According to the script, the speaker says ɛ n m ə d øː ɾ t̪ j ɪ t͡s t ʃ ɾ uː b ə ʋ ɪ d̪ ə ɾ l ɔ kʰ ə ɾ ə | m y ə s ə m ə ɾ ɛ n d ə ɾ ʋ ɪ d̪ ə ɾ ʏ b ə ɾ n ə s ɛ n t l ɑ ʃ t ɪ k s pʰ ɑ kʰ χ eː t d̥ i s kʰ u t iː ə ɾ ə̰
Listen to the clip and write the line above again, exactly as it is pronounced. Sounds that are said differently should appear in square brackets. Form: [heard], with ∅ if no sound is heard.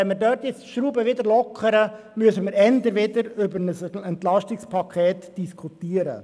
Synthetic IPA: ɛ n m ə d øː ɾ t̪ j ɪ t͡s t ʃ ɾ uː b ə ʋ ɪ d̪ ə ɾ l ɔ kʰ ə ɾ ə | m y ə s ə m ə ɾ ɛ n d ə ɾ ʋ ɪ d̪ ə ɾ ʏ b ə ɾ n ə s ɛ n t l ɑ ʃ t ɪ k s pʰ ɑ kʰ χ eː t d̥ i s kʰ u t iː ə ɾ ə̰